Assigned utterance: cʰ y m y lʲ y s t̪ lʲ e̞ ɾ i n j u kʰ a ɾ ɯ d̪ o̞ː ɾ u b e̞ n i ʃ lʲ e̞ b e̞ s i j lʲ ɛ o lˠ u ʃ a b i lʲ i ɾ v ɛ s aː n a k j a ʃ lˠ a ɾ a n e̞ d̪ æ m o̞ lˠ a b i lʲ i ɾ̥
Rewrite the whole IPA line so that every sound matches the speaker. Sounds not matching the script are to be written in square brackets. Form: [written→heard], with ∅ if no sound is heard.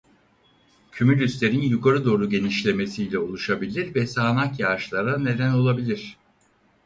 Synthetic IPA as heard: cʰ y m y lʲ y s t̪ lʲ e̞ ɾ i n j u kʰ a ɾ ɯ d̪ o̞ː ɾ u [b→ɟ] e̞ n i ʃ lʲ e̞ [b→m] e̞ s i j lʲ ɛ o lˠ u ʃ a b i lʲ i ɾ v ɛ s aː n a k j a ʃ lˠ a ɾ a n e̞ d̪ æ [m→n] o̞ lˠ a b i lʲ i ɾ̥

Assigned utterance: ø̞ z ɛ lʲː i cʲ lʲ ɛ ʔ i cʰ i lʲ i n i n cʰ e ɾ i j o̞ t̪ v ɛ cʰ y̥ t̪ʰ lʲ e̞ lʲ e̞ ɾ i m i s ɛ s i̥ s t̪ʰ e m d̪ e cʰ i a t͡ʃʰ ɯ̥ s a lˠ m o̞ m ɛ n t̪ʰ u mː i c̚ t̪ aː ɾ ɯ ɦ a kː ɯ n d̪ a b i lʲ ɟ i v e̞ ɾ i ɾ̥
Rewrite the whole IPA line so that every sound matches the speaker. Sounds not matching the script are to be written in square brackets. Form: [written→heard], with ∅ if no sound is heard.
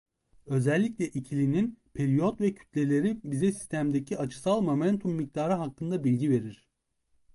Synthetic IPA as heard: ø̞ z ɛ lʲː i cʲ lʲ ɛ ʔ i cʰ i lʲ i n i n [cʰ→pʰ] e ɾ i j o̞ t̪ v ɛ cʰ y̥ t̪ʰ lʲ e̞ lʲ e̞ ɾ i [m→b] i [s→z] ɛ s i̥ s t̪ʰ [e→æ] m d̪ e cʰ i a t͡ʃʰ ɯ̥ s a lˠ m o̞ m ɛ n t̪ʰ u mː i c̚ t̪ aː ɾ ɯ ɦ a kː ɯ n d̪ a b i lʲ ɟ i v e̞ ɾ i ɾ̥

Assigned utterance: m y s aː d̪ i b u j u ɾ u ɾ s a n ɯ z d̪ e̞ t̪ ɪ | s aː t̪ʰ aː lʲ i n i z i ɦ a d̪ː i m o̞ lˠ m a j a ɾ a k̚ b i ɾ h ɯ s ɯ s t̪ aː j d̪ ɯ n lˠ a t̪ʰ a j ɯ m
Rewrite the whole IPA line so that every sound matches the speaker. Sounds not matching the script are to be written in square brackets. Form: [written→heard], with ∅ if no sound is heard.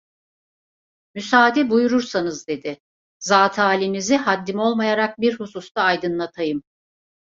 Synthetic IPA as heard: m y s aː d̪ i b u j u ɾ u ɾ s a n ɯ z d̪ e̞ [t̪→d̪] ɪ | [s→z] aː t̪ʰ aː lʲ i n i z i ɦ a d̪ː i m o̞ lˠ m a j a ɾ a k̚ b i ɾ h [ɯ→u] s [ɯ→u] s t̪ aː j d̪ ɯ n lˠ a t̪ʰ a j ɯ m

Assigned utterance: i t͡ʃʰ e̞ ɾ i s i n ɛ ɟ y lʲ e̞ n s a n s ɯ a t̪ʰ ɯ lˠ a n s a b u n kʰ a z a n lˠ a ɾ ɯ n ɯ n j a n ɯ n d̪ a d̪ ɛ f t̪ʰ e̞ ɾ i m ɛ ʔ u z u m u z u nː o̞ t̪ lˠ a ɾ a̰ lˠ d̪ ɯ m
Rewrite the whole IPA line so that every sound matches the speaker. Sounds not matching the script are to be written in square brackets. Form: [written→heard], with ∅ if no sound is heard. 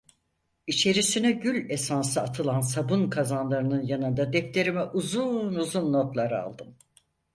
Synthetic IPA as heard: i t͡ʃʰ e̞ ɾ i s i n ɛ ɟ y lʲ e̞ [n→∅] s a n s ɯ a t̪ʰ ɯ lˠ a n s a b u n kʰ a z a n lˠ a ɾ ɯ n ɯ n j a n ɯ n d̪ a d̪ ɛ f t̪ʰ e̞ ɾ i m ɛ ʔ u z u [m→n] u z u nː o̞ t̪ lˠ a ɾ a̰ lˠ d̪ ɯ m

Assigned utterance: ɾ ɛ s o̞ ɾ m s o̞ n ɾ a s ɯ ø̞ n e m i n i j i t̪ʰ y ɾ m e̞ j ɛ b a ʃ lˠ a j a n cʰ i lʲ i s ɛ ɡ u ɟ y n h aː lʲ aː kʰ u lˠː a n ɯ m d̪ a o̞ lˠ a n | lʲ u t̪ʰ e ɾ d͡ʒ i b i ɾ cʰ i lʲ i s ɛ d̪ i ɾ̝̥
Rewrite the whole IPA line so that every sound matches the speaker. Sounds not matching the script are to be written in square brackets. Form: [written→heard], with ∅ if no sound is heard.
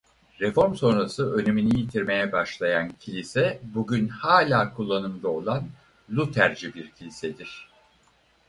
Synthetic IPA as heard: ɾ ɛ [s→f] o̞ ɾ m s o̞ n ɾ a s ɯ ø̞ n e m i n i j i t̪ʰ [y→i] ɾ m e̞ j ɛ b a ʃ lˠ a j a n cʰ i lʲ i s ɛ [ɡ→b] u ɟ y n h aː lʲ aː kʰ u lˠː a n ɯ m d̪ a o̞ lˠ a n | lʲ u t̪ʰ [e→æ] ɾ d͡ʒ i b i ɾ cʰ i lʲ i s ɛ d̪ i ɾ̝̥

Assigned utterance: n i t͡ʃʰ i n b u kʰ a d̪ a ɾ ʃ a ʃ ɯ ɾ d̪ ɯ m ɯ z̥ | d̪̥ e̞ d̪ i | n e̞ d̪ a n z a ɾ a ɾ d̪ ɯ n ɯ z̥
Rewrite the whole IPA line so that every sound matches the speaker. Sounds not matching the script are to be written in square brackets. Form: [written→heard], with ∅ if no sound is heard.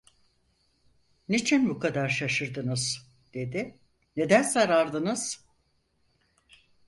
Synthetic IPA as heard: n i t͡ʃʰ i n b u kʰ a d̪ a ɾ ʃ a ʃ ɯ ɾ d̪ ɯ [m→n] ɯ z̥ | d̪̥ e̞ d̪ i | n e̞ d̪ [a→æ] n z a ɾ a ɾ d̪ ɯ n ɯ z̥

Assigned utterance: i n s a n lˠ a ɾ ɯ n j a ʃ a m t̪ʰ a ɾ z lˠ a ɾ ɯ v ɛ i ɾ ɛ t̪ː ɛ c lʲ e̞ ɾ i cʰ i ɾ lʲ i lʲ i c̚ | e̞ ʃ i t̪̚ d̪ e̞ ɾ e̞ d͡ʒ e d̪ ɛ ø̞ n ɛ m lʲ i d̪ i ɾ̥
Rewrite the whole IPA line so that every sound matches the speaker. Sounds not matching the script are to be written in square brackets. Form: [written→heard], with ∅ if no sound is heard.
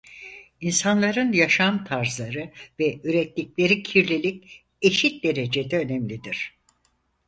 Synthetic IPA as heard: i n s a n lˠ a ɾ ɯ n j a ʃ a m t̪ʰ a ɾ z lˠ a ɾ ɯ v ɛ [i→y] ɾ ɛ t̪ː [ɛ→i] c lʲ e̞ ɾ i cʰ i ɾ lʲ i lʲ i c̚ | e̞ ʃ i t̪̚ d̪ e̞ ɾ e̞ d͡ʒ e d̪ ɛ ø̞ n ɛ m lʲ i d̪ i ɾ̥

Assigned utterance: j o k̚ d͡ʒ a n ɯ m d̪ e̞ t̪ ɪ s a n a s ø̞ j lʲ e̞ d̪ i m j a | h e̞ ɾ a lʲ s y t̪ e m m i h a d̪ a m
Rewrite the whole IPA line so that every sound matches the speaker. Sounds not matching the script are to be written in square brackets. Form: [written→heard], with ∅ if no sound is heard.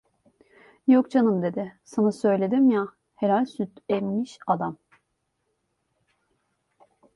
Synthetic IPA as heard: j o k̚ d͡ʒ a n ɯ m d̪ e̞ [t̪→d̪] ɪ s a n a s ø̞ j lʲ e̞ d̪ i m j a | h e̞ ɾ a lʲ s y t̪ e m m i [h→ʃ] a d̪ a m

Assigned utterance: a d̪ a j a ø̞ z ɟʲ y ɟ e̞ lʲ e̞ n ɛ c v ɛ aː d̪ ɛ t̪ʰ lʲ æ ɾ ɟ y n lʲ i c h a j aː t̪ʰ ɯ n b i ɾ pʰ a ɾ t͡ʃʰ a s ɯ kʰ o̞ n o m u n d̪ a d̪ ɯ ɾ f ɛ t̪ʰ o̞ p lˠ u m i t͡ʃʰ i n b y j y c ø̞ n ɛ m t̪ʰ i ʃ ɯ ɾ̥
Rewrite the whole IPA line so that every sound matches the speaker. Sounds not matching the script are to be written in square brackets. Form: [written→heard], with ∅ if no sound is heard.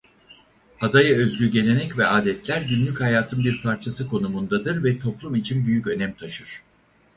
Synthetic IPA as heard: a d̪ a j a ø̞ z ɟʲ y ɟ e̞ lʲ e̞ n ɛ c v ɛ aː d̪ ɛ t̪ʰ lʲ æ ɾ ɟ y n lʲ [i→y] c h a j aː t̪ʰ ɯ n b i ɾ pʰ a ɾ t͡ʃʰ a s ɯ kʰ o̞ n [o→u] m u n d̪ a d̪ ɯ ɾ [f→v] ɛ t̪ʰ o̞ p lˠ u m i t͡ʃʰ i n b y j y c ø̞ n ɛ m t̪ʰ [i→a] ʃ ɯ ɾ̥

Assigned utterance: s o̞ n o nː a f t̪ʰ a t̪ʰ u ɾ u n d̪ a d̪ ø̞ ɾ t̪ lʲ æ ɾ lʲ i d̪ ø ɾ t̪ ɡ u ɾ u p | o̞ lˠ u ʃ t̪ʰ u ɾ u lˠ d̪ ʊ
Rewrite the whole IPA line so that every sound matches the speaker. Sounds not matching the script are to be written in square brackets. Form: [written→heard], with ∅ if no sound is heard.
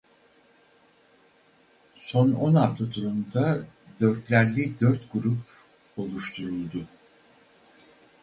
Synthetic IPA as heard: s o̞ n o [nː→n] a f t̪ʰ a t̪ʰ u ɾ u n d̪ a d̪ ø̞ ɾ t̪ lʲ æ ɾ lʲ i d̪ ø ɾ t̪ ɡ u ɾ u p | o̞ lˠ u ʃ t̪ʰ u ɾ u lˠ d̪ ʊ

